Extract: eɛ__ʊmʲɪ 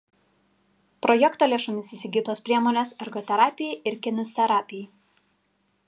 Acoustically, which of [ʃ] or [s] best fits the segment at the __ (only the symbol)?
ʃ